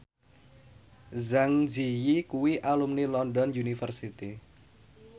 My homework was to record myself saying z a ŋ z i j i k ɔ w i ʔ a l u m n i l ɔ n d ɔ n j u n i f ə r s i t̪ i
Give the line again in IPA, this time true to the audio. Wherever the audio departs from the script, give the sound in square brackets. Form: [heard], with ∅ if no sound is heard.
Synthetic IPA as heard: z a ŋ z i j i k [u] w i ʔ a l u m n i l ɔ n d ɔ n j u n i f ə r s i t̪ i